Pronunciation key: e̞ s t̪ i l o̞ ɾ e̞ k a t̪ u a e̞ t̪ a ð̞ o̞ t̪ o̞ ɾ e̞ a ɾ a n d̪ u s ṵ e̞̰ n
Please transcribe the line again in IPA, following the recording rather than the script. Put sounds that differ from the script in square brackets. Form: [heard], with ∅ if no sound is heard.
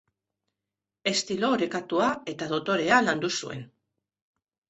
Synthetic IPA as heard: e̞ s t̪ i l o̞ ɾ e̞ k a t̪ u a e̞ t̪ a ð̞ o̞ t̪ o̞ ɾ e̞ a [l] a n d̪ u s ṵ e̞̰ n